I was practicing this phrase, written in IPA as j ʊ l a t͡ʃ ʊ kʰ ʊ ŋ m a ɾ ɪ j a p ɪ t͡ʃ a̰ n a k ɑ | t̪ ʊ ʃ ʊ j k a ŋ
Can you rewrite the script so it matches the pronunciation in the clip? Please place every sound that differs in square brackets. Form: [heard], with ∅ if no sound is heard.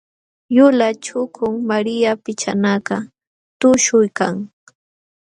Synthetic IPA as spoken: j ʊ l a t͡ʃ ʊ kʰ ʊ ŋ m a ɾ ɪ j a p ɪ t͡ʃ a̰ n a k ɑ | t̪ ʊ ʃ ʊ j k a ŋ